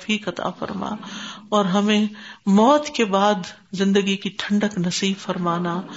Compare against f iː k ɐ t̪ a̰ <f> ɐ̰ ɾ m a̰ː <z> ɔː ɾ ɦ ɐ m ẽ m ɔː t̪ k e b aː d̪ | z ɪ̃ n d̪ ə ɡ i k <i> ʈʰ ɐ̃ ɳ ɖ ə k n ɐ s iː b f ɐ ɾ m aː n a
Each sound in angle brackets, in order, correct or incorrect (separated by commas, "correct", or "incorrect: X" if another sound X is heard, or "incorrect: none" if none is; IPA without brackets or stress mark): correct, incorrect: none, correct